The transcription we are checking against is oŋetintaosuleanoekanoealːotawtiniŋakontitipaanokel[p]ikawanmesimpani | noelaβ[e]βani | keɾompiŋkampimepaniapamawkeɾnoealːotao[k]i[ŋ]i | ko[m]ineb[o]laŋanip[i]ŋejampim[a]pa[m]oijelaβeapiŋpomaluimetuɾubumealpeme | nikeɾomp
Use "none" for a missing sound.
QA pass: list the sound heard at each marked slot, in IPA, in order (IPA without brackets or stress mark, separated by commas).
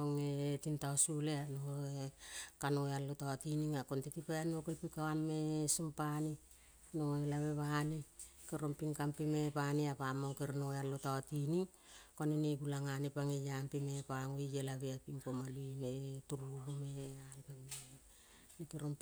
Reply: p, e, t, n, n, u, a, e, ŋ